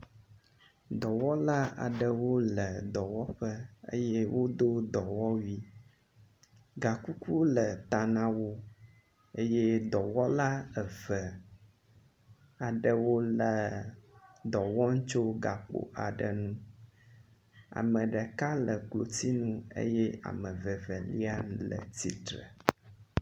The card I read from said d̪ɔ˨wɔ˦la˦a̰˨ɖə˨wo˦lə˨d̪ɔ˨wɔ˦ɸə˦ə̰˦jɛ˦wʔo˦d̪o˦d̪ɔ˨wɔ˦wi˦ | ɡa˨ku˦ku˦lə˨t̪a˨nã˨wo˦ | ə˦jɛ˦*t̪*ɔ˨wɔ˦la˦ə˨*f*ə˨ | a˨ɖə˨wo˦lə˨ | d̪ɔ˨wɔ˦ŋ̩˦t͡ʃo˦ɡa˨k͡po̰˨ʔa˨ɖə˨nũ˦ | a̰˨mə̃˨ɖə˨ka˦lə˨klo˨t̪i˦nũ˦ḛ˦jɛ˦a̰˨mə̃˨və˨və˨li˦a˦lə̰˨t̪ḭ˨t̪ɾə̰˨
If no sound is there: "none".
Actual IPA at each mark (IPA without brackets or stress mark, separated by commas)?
d̪, v